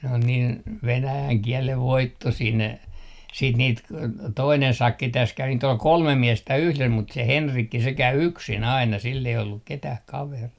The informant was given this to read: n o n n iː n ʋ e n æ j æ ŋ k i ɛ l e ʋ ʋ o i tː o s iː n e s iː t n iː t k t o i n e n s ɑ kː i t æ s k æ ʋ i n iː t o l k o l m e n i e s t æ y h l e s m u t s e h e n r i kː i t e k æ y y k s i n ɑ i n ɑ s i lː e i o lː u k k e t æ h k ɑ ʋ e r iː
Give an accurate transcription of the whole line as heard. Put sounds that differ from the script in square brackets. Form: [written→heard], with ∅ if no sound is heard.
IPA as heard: n o n n iː n ʋ e n æ j æ ŋ k i ɛ l e ʋ ʋ o i tː o s iː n e s iː t n iː t k t o i n e n s ɑ kː i t æ s k æ ʋ i n iː t o l k o l m e [n→m] i e s t æ y h l e s m u t s e h e n r i kː i [t→s] e k æ y y k s i n ɑ i n ɑ s i lː e i o lː u k k e t æ h k ɑ ʋ e r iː